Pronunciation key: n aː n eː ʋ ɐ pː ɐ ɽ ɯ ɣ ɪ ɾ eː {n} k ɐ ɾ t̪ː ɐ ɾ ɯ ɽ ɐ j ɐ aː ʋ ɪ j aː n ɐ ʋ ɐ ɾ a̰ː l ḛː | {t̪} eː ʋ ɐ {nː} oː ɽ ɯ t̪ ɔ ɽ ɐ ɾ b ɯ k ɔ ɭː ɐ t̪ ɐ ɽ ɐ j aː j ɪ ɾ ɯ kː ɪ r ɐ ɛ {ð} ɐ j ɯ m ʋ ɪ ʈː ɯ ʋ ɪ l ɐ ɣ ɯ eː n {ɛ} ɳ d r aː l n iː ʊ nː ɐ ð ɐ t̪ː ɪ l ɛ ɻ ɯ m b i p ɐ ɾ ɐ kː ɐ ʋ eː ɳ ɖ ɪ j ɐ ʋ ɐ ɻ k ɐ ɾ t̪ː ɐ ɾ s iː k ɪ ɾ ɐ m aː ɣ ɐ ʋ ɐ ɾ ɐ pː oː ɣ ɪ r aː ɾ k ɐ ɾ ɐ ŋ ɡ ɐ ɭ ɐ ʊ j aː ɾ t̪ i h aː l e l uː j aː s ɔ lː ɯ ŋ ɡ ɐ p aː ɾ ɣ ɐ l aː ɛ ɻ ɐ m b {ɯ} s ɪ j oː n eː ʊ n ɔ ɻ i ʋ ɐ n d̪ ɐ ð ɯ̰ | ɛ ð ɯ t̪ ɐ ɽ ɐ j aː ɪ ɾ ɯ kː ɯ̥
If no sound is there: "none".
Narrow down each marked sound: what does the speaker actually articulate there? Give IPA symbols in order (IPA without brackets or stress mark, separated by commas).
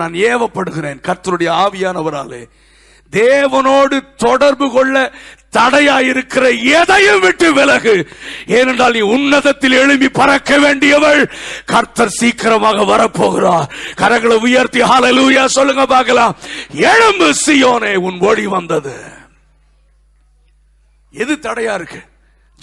n, d̪, n, ð, ɛ, ɯ